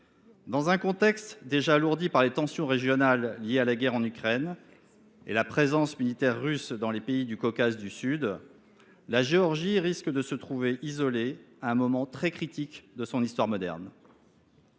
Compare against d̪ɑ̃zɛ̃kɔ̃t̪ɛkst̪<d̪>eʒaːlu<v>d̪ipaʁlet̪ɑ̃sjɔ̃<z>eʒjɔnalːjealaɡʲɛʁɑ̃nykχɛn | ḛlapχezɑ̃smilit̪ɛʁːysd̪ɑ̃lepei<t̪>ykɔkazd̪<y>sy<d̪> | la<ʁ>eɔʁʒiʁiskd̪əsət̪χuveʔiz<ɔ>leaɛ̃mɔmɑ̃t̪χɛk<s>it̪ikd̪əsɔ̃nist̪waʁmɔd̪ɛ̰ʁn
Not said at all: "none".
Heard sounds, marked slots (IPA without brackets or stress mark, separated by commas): d̪, ʁ, ʁ, d̪, y, d̪, ʒ, ɔ, χ